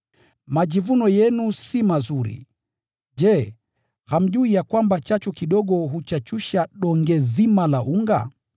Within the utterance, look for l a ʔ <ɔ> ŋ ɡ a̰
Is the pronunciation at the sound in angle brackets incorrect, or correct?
incorrect